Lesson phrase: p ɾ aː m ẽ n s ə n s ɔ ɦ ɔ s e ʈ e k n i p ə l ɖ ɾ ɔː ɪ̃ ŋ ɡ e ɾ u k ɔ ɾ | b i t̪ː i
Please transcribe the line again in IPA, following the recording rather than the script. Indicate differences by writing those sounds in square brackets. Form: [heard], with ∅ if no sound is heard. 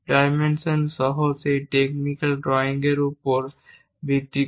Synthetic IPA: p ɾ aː m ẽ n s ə n s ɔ ɦ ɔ s e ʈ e k n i [k] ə l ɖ ɾ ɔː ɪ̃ ŋ ɡ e ɾ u [p] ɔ ɾ | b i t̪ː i